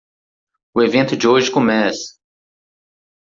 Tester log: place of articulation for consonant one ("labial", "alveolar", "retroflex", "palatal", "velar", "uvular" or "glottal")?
labial